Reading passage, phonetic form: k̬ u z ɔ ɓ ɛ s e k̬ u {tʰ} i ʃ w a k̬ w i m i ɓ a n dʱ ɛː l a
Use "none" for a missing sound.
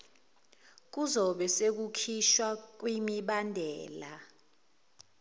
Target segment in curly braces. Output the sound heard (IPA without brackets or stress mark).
kʰ